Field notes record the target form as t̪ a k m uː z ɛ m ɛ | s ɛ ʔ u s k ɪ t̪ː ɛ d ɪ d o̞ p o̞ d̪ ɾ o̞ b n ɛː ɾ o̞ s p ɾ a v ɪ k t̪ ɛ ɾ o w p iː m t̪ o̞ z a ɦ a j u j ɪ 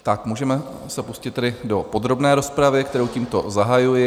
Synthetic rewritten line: t̪ a k m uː ʒ ɛ m ɛ | s ɛ p u s c ɪ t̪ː ɛ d ɪ d o̞ p o̞ d̪ ɾ o̞ b n ɛː ɾ o̞ s p ɾ a v ɪ k t̪ ɛ ɾ o w c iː m t̪ o̞ z a ɦ a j u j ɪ